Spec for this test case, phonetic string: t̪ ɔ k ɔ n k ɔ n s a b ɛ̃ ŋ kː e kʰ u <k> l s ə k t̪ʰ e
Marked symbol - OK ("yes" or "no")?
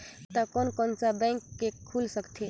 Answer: no